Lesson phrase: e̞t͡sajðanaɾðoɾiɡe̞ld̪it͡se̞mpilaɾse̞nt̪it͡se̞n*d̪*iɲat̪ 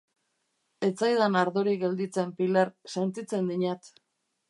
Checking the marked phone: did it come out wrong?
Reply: no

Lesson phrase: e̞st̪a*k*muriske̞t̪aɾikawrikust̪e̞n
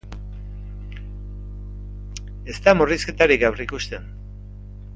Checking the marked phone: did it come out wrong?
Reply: yes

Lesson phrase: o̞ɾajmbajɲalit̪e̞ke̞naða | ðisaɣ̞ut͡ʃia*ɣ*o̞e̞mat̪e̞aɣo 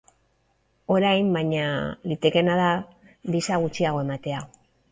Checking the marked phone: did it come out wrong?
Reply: no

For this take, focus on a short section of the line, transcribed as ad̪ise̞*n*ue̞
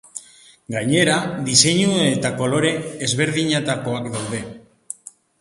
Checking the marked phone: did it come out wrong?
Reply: yes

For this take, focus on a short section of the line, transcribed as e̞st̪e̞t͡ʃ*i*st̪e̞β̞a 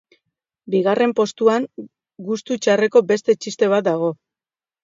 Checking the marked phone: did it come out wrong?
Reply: no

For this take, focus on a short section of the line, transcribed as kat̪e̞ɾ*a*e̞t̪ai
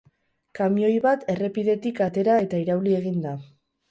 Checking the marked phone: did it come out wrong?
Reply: no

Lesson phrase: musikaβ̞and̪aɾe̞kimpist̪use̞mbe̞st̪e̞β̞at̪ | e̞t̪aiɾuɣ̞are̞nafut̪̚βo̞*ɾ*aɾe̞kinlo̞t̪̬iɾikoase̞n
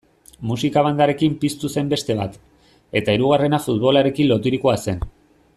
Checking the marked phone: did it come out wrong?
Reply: yes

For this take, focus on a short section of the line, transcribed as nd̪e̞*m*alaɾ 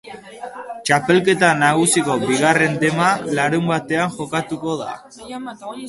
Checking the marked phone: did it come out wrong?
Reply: no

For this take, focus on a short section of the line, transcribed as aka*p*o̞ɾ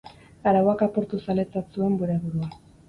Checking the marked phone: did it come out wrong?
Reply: no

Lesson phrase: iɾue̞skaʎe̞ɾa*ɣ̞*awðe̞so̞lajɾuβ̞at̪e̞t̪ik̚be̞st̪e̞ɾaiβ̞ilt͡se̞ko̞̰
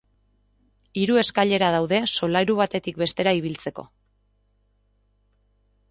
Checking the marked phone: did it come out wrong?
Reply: yes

